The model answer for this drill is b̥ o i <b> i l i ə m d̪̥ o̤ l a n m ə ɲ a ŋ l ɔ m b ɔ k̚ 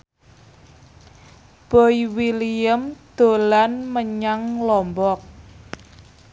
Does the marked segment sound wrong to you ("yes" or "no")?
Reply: yes